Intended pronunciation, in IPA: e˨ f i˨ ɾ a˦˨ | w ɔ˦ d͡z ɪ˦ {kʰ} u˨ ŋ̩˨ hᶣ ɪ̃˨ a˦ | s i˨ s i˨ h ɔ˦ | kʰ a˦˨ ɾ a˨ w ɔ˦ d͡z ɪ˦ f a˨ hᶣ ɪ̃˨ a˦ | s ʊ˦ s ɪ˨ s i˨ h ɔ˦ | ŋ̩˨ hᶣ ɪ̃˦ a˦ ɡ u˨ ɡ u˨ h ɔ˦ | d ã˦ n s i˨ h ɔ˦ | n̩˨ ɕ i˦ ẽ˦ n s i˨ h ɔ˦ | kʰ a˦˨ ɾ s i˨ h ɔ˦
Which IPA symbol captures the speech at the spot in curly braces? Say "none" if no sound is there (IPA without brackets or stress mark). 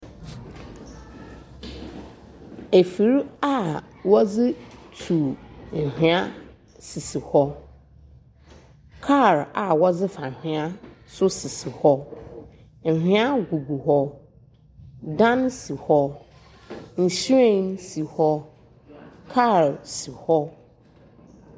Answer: tʰ